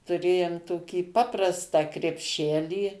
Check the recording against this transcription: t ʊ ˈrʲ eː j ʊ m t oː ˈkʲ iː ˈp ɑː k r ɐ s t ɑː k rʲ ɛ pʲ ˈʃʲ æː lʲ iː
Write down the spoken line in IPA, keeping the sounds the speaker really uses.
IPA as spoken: t ʊ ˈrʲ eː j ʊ m t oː ˈkʲ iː ˈp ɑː p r ɐ s t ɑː k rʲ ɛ pʲ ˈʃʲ æː lʲ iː